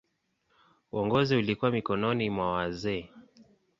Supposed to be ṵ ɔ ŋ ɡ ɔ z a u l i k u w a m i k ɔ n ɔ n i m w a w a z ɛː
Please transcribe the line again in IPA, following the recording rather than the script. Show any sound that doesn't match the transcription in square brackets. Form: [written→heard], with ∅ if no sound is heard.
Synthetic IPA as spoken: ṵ ɔ ŋ ɡ ɔ z [a→i] u l i k u w a m i k ɔ n ɔ n i m w a w a z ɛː